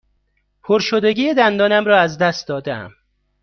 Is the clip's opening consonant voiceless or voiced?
voiceless